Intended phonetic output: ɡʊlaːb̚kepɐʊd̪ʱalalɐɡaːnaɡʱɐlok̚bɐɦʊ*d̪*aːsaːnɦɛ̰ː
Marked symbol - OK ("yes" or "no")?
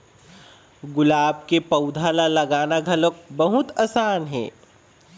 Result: no